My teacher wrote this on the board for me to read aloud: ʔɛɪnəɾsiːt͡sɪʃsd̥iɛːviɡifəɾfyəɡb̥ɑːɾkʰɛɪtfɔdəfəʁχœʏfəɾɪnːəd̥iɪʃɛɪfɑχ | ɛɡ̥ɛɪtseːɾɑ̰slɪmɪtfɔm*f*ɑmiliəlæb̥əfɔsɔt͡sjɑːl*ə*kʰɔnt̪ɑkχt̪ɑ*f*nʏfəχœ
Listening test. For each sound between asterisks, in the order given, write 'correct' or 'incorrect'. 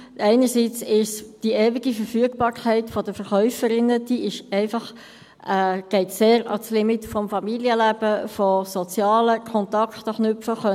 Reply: correct, correct, incorrect: χ

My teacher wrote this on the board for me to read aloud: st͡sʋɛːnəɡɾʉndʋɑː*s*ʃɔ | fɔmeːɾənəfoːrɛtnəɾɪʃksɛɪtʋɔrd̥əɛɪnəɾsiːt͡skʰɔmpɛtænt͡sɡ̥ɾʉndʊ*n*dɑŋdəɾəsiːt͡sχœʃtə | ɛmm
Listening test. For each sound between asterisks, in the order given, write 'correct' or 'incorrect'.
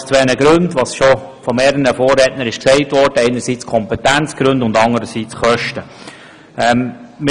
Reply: correct, correct

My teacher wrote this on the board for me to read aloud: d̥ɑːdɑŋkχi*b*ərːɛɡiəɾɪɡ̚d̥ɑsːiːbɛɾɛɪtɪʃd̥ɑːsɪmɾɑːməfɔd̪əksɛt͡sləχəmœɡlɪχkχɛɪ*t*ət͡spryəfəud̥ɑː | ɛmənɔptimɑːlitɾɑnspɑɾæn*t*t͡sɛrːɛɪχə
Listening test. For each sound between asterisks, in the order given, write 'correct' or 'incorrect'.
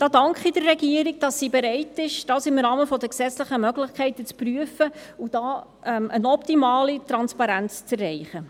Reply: incorrect: d, correct, incorrect: t͡s

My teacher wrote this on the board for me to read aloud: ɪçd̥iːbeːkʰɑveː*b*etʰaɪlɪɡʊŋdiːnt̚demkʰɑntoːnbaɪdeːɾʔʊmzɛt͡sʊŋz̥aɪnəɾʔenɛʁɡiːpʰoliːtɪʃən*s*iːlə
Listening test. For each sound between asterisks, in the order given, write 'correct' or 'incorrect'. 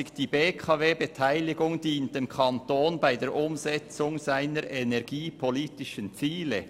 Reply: correct, incorrect: t͡s

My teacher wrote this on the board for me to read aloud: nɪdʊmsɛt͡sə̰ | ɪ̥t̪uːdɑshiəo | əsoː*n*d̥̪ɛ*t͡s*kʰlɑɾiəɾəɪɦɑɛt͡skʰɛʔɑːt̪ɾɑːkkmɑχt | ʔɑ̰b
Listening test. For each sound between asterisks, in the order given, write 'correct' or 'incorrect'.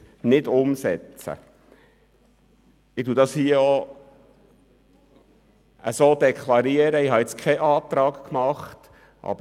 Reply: incorrect: none, incorrect: none

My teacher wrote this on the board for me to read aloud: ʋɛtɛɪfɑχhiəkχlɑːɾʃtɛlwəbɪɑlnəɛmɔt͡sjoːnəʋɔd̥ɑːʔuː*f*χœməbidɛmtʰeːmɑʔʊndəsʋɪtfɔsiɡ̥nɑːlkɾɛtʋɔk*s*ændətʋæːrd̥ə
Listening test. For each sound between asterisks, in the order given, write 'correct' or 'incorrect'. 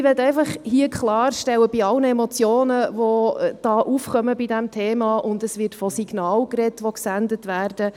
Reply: correct, correct

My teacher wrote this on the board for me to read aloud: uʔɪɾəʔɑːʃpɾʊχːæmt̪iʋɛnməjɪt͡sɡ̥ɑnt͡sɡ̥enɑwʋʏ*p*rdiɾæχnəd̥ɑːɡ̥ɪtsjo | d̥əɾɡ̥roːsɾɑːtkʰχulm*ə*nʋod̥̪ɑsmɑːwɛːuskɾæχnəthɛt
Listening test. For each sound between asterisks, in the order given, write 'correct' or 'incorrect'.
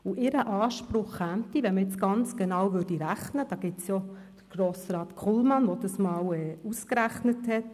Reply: incorrect: none, incorrect: ɑ

